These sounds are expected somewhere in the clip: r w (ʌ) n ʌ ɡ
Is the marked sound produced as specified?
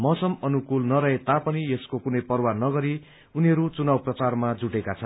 no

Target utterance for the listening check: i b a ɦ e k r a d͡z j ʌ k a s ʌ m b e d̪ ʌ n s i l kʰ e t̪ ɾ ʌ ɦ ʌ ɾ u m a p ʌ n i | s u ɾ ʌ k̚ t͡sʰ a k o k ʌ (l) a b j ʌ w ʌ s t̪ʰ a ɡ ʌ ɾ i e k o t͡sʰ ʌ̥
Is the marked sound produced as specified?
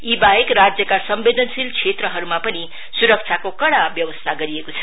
no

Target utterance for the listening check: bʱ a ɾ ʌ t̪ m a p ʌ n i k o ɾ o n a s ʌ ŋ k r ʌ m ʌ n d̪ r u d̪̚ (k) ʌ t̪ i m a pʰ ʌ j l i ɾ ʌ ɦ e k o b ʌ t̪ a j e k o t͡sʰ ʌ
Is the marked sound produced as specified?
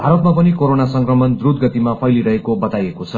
no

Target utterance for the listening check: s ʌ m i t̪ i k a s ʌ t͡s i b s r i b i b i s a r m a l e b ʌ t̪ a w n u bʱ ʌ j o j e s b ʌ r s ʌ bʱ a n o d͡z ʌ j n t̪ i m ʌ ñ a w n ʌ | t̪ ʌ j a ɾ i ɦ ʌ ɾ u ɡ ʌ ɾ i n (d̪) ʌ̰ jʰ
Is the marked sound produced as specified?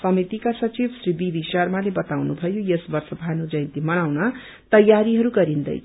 yes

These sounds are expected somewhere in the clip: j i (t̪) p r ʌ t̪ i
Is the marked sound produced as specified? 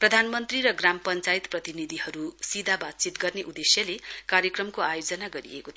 yes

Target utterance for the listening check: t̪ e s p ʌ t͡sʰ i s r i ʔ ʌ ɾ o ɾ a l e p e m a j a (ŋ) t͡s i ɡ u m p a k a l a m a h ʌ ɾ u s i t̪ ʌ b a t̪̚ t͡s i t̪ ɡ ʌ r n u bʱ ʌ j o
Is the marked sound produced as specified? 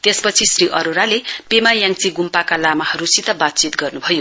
yes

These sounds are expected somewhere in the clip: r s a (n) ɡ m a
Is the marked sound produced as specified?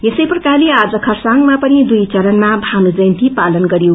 no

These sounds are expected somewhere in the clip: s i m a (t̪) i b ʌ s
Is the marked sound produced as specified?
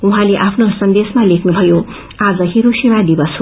no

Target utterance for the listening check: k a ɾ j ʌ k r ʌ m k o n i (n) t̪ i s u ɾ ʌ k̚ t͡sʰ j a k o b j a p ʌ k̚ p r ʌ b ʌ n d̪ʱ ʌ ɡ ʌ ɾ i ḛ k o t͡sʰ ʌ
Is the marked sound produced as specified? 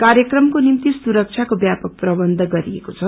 no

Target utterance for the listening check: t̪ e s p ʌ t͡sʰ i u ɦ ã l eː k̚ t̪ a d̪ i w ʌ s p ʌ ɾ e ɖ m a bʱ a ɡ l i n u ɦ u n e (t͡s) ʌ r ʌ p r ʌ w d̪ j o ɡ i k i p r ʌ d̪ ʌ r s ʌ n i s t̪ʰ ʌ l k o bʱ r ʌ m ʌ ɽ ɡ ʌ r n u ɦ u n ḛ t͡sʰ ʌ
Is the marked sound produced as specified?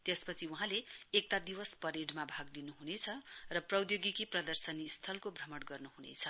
no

